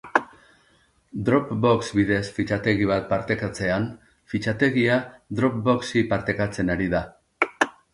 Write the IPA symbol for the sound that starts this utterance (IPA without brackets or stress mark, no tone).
d̪